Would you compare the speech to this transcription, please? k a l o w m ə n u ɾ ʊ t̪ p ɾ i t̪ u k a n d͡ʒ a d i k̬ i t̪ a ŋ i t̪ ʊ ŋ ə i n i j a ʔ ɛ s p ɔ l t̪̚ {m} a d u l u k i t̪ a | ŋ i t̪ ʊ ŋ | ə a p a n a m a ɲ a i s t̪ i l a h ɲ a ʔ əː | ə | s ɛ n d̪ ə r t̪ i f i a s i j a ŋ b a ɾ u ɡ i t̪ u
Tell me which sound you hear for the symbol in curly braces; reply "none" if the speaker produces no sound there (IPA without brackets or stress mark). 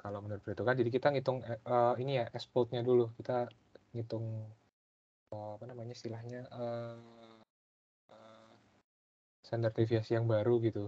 ɲ